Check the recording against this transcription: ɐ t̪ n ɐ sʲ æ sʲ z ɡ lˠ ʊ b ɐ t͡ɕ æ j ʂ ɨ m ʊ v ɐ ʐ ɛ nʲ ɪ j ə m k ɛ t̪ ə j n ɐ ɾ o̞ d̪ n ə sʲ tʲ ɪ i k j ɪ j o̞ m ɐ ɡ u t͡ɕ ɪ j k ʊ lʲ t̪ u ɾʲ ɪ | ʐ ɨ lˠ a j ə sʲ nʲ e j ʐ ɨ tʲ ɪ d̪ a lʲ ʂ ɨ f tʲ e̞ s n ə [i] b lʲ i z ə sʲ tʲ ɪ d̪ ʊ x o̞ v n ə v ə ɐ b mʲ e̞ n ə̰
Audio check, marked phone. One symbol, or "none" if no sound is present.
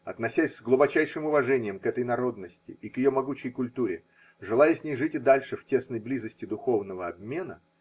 j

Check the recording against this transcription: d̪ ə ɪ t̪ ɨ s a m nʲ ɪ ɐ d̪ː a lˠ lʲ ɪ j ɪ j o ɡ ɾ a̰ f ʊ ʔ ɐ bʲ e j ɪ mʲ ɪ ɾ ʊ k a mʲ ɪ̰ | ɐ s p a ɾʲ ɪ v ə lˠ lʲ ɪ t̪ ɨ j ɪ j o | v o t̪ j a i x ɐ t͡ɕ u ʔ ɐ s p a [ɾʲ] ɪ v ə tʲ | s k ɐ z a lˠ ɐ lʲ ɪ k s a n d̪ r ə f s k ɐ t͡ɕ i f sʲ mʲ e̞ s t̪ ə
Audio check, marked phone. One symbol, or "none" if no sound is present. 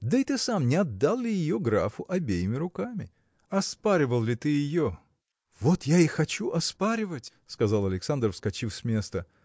ɾʲ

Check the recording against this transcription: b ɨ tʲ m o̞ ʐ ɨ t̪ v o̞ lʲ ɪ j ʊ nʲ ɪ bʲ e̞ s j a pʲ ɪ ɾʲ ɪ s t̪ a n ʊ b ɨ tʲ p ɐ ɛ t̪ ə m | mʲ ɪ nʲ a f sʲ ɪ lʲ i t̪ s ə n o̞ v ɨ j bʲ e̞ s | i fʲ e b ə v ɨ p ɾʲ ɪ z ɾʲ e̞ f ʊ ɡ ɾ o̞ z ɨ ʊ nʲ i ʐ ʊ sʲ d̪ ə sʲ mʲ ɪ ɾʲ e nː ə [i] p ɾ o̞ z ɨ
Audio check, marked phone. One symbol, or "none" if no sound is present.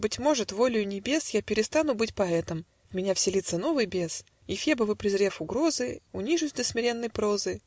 j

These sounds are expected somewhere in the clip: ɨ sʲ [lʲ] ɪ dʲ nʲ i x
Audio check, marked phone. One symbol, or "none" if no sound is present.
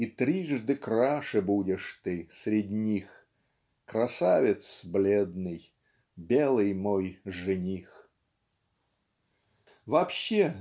ɾʲ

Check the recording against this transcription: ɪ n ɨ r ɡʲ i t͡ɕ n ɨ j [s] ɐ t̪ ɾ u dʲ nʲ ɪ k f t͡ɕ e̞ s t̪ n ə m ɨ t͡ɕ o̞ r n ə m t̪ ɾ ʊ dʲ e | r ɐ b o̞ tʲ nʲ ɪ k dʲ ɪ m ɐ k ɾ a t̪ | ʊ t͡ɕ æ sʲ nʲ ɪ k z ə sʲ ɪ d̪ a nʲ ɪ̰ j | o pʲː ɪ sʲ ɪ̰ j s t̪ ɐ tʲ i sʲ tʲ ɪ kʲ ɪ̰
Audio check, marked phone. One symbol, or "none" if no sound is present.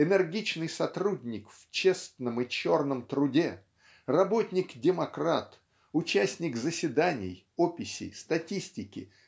s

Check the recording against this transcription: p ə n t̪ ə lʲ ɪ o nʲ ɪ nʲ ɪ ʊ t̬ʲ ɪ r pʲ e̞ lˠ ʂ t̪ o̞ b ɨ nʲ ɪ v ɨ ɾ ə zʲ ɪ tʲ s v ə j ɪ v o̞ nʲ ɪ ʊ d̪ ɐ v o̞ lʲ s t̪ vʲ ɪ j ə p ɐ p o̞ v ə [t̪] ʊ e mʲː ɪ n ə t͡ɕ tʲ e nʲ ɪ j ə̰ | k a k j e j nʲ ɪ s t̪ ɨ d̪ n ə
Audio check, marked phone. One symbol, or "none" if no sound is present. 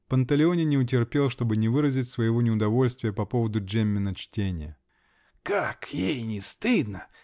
d̪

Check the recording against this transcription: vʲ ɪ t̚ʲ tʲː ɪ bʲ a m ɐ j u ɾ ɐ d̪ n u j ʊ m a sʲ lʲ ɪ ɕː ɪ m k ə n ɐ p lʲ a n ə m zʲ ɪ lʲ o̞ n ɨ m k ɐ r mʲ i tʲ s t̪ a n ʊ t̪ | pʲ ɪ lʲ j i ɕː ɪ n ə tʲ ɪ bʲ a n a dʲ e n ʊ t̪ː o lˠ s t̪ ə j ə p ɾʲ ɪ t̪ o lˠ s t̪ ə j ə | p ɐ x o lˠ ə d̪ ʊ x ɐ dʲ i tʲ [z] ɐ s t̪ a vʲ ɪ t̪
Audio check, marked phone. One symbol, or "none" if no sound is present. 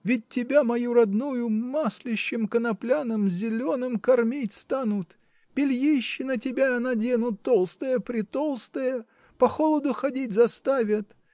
z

